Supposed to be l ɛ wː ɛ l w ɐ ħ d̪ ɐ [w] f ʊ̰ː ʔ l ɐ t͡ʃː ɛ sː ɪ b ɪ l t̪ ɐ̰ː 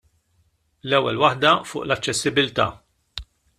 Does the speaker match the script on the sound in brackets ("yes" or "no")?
no